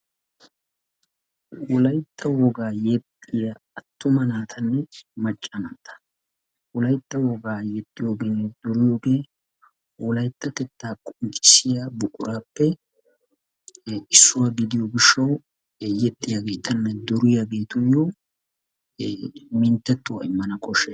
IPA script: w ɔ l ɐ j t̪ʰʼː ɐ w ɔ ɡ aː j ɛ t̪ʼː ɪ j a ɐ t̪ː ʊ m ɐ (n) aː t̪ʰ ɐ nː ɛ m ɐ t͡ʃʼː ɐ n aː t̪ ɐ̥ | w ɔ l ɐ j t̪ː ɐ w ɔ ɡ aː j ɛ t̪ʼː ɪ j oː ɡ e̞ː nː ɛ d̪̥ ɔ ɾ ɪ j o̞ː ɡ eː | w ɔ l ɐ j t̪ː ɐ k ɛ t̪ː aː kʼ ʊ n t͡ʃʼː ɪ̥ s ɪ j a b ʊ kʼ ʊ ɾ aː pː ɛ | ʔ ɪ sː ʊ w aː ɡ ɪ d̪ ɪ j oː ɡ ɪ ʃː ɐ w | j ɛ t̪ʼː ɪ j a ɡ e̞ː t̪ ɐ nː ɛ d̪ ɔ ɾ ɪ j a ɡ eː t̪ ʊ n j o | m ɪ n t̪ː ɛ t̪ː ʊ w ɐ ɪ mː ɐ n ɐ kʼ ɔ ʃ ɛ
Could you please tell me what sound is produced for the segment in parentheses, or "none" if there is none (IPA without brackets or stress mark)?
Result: n